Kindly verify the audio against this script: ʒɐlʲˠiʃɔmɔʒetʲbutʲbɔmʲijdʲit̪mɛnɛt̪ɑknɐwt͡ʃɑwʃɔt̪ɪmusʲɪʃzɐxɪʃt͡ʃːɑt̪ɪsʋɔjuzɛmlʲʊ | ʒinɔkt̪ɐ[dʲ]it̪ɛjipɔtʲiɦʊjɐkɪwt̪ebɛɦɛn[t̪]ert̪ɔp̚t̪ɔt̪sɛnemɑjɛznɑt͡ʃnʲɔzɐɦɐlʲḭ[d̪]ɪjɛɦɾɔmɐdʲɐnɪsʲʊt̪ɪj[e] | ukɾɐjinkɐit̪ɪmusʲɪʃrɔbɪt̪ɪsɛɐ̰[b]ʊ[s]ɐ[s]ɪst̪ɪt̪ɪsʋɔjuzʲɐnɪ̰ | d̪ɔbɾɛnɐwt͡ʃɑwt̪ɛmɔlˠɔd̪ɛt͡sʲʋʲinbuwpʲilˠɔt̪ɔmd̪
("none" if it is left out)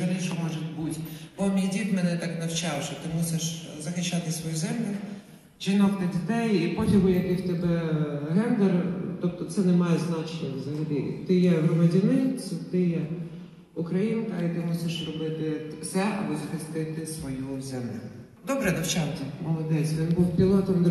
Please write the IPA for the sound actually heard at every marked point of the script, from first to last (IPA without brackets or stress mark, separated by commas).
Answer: dʲ, d̪, t̪, ɛ, b, z, x